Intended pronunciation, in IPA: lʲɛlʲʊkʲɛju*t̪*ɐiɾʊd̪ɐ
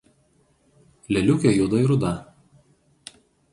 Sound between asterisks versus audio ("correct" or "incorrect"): incorrect